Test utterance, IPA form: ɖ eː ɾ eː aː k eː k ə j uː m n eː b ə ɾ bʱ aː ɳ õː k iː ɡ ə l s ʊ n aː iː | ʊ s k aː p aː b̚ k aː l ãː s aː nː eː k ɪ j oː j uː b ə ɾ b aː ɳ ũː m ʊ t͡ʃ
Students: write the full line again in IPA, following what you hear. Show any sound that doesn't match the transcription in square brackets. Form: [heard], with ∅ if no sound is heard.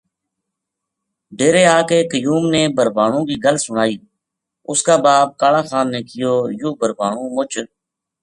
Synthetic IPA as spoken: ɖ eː ɾ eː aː k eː k ə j uː m n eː b ə ɾ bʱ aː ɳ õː k iː ɡ ə l s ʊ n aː iː | ʊ s k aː [b] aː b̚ k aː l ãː [x] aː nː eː k ɪ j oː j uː b ə ɾ b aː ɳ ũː m ʊ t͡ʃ